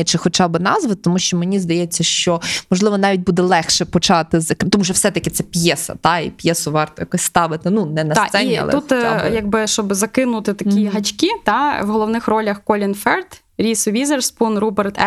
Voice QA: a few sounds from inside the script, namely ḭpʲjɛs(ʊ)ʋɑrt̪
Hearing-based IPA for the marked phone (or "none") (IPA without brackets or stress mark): ʊ